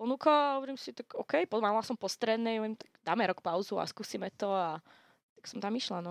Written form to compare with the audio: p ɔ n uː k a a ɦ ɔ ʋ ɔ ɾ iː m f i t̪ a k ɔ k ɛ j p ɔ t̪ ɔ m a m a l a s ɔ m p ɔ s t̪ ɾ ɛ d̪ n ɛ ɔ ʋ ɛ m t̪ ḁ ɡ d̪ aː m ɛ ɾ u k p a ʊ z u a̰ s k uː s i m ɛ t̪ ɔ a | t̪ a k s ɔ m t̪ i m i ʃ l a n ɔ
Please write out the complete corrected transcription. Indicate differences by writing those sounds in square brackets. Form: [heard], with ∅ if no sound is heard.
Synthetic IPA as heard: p ɔ n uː k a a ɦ ɔ ʋ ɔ ɾ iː m [s] i t̪ a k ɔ k ɛ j p ɔ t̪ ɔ m a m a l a s ɔ m p ɔ s t̪ ɾ ɛ d̪ n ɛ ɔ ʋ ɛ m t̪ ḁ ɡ d̪ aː m ɛ ɾ [ɔ] k p a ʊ z u a̰ s k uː s i m ɛ t̪ ɔ a | t̪ a k s ɔ m t̪ [a] m i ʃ l a n ɔ